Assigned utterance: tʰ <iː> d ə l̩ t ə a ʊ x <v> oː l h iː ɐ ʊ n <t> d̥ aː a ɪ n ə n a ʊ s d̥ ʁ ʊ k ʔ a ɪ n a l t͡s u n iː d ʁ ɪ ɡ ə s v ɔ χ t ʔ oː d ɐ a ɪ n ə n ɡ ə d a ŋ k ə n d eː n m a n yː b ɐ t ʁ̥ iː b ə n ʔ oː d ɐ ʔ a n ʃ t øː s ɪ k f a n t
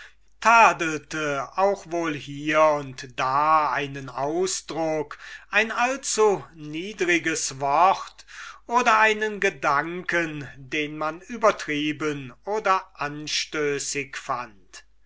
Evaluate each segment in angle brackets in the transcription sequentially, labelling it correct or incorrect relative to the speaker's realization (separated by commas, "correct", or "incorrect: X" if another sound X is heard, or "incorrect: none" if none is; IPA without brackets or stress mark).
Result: incorrect: aː, correct, correct